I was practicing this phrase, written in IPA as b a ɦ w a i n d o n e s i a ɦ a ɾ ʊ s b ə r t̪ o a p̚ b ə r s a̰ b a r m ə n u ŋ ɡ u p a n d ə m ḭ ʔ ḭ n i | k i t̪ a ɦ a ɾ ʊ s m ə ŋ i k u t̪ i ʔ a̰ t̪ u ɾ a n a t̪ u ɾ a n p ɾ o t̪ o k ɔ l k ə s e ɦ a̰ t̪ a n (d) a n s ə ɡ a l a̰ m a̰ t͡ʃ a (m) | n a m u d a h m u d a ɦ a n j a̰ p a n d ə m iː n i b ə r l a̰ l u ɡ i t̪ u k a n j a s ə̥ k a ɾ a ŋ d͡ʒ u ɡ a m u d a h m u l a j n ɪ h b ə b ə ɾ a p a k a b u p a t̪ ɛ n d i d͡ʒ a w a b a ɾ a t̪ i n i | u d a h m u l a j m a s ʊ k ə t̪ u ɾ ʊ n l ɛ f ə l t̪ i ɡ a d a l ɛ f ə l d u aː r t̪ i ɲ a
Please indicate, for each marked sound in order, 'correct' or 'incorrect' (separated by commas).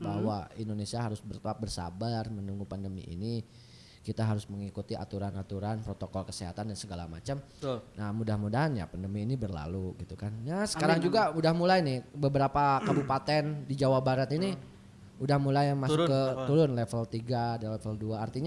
correct, correct